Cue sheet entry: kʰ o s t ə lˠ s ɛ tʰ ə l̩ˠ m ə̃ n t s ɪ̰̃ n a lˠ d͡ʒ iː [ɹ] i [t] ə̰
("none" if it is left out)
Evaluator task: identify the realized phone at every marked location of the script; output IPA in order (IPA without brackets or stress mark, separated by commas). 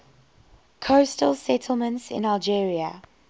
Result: ɹ, none